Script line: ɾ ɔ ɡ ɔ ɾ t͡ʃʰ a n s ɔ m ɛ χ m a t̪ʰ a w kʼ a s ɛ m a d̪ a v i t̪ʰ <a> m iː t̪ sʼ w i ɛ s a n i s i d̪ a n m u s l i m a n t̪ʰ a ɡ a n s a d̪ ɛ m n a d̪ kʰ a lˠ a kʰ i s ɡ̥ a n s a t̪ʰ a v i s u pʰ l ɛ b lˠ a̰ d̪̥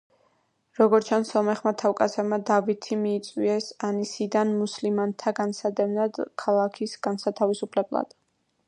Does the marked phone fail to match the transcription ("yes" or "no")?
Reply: yes